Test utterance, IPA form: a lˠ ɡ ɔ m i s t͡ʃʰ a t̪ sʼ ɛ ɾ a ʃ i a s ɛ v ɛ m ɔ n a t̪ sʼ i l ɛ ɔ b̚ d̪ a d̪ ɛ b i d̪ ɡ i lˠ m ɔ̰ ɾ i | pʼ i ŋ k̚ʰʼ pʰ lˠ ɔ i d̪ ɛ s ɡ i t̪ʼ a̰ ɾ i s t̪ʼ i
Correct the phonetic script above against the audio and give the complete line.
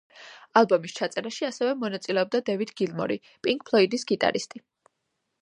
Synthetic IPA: a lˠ b ɔ m i s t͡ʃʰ a t̪ sʼ ɛ ɾ a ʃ i a s ɛ v ɛ m ɔ n a t̪ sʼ i l ɛ ɔ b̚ d̪ a d̪ ɛ v i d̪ ɡ i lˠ m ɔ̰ ɾ i | pʼ i ŋ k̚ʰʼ pʰ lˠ ɔ i d̪ i s ɡ i t̪ʼ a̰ ɾ i s t̪ʼ i